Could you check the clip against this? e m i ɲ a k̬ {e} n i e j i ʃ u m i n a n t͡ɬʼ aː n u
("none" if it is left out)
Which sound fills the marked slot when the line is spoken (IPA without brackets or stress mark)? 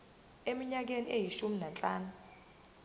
e